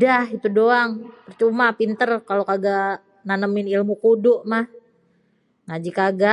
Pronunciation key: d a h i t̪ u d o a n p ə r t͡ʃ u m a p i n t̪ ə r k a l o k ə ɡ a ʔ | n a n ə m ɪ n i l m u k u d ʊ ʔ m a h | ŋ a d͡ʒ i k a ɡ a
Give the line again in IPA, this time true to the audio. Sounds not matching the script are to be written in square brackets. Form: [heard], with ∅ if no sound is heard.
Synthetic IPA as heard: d a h i t̪ u d o a [ŋ] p ə r t͡ʃ u m a p i n t̪ ə r k a l o k [a] ɡ a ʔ | n a n ə m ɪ n i l m u k u d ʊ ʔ m a h | ŋ a d͡ʒ i k a ɡ a